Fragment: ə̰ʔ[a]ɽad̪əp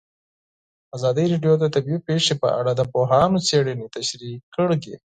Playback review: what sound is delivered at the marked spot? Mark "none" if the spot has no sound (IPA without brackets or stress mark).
a